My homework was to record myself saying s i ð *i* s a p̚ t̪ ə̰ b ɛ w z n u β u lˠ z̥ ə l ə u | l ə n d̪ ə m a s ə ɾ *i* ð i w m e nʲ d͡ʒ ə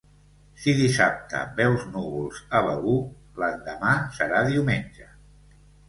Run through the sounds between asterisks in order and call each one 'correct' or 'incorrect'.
correct, incorrect

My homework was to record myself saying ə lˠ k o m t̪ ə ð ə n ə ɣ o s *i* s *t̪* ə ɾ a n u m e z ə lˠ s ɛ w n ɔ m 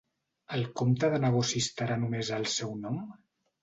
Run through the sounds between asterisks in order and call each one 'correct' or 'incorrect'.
correct, correct

